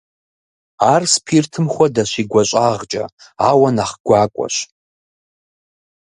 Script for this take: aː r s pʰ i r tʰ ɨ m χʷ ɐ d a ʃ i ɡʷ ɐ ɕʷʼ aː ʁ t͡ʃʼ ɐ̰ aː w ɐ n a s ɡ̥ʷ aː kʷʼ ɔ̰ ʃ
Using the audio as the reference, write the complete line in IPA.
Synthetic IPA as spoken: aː r s pʰ i r tʰ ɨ m χʷ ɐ d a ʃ i ɡʷ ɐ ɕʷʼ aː ʁ t͡ʃʼ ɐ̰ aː w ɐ n a χ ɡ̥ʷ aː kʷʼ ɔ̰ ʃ